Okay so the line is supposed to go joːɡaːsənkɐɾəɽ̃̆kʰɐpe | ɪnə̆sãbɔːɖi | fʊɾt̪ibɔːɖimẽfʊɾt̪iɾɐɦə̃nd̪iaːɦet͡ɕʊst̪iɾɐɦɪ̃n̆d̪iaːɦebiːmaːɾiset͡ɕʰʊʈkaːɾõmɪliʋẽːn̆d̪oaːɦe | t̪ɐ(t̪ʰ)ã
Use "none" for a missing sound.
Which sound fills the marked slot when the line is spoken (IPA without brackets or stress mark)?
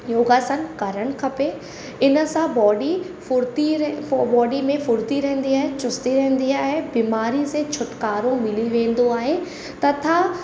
t̪ʰ